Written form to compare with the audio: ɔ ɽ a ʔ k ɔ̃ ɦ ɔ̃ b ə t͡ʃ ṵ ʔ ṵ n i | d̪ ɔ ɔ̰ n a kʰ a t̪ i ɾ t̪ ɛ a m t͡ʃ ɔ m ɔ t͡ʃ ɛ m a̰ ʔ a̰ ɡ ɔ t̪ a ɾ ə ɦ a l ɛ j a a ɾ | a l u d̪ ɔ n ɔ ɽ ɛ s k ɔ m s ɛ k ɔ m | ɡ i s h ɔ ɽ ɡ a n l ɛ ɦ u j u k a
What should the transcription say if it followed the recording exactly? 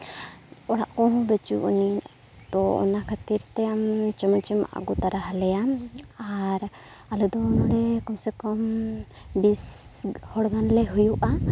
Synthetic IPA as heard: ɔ ɽ a ʔ k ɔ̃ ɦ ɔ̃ b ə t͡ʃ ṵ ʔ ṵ n i | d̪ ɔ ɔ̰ n a kʰ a t̪ i ɾ t̪ ɛ a m t͡ʃ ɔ m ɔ t͡ʃ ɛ m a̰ ʔ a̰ ɡ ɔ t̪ a ɾ a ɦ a l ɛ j a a ɾ | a l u d̪ ɔ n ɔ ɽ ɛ k ɔ m s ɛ k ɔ m | b i s h ɔ ɽ ɡ a n l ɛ ɦ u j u ʔ a

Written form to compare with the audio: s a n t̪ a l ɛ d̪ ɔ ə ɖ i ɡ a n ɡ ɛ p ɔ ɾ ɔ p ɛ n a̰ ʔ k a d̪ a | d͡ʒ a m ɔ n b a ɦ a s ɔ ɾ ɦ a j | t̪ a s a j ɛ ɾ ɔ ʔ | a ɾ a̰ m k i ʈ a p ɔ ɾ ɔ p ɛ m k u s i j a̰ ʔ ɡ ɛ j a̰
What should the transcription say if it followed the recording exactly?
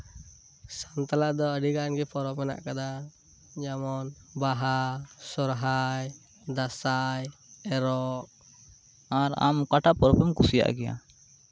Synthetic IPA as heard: s a n t̪ a l a d̪ ɔ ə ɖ i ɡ a n ɡ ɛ p ɔ ɾ ɔ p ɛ n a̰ ʔ k a d̪ a | d͡ʒ a m ɔ n b a ɦ a s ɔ ɾ ɦ a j | d̪ a s a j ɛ ɾ ɔ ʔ | a ɾ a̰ m k a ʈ a p ɔ ɾ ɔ p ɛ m k u s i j a̰ ʔ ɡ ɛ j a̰

